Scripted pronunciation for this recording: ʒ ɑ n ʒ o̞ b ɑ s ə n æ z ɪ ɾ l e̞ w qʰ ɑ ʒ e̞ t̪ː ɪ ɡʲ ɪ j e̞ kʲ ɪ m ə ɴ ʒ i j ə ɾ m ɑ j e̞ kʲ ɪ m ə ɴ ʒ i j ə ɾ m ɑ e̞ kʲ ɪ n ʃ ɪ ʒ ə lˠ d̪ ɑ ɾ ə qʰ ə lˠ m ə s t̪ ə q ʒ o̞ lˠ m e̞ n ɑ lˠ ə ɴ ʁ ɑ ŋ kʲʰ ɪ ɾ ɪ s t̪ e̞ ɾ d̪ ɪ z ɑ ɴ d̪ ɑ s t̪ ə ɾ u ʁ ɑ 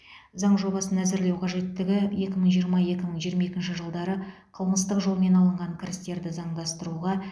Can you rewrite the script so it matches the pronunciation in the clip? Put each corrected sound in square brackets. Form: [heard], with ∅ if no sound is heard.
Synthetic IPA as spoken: [z] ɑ [ɴ] ʒ o̞ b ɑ s ə n æ z ɪ ɾ l e̞ w qʰ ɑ ʒ e̞ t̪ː ɪ ɡʲ ɪ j e̞ kʲ ɪ m ə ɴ ʒ i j ə ɾ m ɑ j e̞ kʲ ɪ m ə ɴ ʒ i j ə ɾ m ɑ e̞ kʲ ɪ n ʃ ɪ ʒ ə lˠ d̪ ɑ ɾ ə qʰ ə lˠ m ə s t̪ ə q ʒ o̞ lˠ m e̞ n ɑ lˠ ə ɴ ʁ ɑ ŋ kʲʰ ɪ ɾ ɪ s t̪ e̞ ɾ d̪ ɪ z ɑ ɴ d̪ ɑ s t̪ ə ɾ u ʁ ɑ